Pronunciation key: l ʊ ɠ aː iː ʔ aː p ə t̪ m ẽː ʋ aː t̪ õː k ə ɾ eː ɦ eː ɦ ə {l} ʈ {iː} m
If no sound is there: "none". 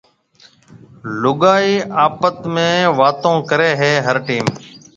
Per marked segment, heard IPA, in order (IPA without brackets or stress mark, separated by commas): ɾ, iː